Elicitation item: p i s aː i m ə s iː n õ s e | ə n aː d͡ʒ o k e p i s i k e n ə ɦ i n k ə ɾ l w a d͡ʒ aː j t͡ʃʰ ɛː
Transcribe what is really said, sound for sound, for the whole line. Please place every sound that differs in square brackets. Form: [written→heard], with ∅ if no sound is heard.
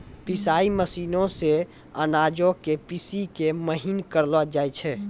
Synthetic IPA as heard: p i s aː i m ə s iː n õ s e | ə n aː d͡ʒ o k e p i s i k e [n→m] ə ɦ i n k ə ɾ l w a d͡ʒ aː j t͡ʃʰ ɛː